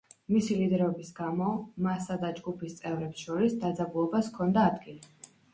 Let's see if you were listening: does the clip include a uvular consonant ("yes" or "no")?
no